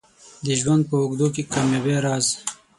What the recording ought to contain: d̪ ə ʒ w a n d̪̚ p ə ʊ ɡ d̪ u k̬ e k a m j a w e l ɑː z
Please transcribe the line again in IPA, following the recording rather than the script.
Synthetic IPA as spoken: d̪ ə ʒ w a n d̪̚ p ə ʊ ɡ d̪ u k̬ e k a m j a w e ɾ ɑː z

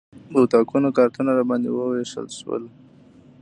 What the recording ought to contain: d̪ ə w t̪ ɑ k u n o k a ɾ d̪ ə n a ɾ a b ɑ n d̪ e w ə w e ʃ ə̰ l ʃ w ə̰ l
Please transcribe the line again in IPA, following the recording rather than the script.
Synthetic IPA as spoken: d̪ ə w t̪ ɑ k u n o k ɑ ɾ t̪ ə n a ɾ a b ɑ n d̪ e w ə w e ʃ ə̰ l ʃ w ə̰ l

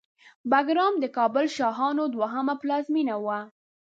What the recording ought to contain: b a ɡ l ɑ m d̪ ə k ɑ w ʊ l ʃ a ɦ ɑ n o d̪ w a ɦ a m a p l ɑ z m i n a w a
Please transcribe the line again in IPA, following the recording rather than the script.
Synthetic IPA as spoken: b a ɡ ɾ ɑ m d̪ ə k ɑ b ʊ l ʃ ɑ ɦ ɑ n o d̪ w a ɦ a m a p l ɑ z m i n a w a

